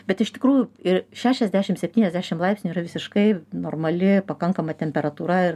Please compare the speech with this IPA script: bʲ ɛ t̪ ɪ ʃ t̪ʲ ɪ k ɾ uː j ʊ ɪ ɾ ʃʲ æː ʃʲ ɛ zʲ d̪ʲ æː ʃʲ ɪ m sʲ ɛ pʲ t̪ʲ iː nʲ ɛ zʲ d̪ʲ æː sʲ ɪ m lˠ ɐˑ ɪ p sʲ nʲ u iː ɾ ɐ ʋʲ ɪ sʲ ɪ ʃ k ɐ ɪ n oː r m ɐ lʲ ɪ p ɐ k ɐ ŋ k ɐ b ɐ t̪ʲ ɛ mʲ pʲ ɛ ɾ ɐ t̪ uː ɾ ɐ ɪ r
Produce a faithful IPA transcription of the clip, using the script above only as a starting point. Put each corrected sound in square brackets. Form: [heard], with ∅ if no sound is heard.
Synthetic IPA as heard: bʲ ɛ t̪ ɪ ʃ t̪ʲ ɪ k ɾ uː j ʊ ɪ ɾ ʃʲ æː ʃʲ ɛ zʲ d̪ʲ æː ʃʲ ɪ m sʲ ɛ pʲ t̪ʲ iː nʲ ɛ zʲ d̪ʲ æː [ʃʲ] ɪ m lˠ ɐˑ ɪ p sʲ nʲ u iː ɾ ɐ ʋʲ ɪ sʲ ɪ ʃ k ɐ ɪ n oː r m ɐ lʲ ɪ p ɐ k ɐ ŋ k ɐ [m] ɐ t̪ʲ ɛ mʲ pʲ ɛ ɾ ɐ t̪ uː ɾ ɐ ɪ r